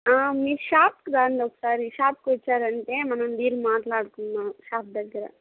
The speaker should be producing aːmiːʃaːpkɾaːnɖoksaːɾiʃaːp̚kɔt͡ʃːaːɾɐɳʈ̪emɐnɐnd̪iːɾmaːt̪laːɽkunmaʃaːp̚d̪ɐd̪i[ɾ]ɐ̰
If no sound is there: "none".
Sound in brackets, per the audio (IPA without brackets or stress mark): ɾ